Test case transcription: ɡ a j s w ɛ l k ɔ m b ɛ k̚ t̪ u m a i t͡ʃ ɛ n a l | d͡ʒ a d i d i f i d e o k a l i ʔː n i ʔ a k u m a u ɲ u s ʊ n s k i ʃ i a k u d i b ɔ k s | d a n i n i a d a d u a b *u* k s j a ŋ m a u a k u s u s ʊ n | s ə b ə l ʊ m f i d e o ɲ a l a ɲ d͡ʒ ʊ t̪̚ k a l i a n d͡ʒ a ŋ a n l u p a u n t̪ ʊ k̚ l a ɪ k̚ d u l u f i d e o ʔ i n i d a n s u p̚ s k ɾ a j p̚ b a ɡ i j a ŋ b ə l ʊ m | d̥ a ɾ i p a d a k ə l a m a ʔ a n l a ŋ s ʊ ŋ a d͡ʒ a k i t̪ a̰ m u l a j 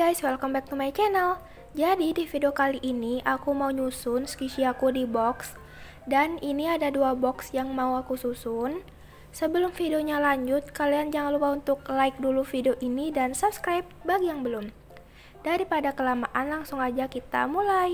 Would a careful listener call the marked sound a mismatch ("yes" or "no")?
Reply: yes